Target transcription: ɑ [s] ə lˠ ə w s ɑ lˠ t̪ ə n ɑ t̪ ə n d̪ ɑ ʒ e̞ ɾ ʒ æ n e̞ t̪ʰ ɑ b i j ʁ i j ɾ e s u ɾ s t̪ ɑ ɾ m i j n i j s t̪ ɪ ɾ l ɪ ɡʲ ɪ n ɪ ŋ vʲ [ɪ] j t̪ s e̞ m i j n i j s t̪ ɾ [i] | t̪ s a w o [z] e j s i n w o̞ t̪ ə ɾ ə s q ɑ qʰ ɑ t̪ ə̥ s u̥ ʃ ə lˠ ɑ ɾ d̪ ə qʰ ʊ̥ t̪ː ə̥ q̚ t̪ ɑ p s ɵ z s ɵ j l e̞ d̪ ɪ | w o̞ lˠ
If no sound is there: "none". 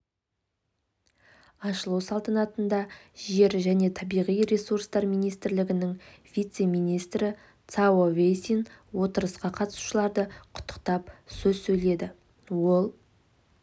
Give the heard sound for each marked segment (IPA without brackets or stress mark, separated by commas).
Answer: ʃ, i, ɪ, v